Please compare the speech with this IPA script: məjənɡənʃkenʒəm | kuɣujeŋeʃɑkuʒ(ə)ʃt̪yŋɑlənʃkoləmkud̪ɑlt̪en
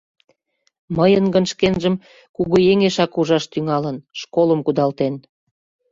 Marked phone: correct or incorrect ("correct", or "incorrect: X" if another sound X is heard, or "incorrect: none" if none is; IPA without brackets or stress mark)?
incorrect: ɑ